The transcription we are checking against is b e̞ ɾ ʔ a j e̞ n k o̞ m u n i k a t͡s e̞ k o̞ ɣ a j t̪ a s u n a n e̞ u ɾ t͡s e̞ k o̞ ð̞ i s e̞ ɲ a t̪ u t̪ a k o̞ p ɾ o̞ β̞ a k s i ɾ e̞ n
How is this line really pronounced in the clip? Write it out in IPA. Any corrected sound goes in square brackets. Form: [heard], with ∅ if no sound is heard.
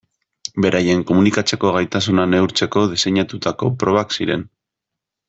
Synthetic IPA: b e̞ ɾ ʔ a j e̞ [ŋ] k o̞ m u n i k a t͡s e̞ k o̞ ɣ a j t̪ a s u n a n e̞ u ɾ t͡s e̞ k o̞ ð̞ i s e̞ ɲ a t̪ u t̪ a k o̞ p ɾ o̞ β̞ a k s i ɾ e̞ n